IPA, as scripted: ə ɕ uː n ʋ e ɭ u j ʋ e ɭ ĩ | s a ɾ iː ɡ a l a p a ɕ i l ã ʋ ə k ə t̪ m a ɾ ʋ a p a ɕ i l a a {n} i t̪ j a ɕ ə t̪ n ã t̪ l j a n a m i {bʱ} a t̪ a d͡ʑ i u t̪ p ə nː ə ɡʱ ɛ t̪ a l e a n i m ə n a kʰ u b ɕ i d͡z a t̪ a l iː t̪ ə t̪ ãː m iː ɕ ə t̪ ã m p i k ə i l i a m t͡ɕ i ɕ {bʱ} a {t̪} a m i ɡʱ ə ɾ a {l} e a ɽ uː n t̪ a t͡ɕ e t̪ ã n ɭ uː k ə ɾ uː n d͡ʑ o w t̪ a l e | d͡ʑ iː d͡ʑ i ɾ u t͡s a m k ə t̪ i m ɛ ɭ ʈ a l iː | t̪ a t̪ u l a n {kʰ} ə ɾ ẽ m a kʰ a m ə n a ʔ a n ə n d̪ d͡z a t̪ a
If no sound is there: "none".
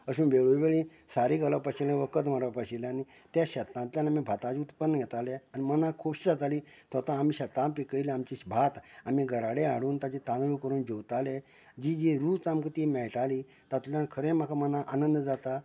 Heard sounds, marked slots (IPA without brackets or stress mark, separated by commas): n, bʱ, bʱ, t̪, ɽ, kʰ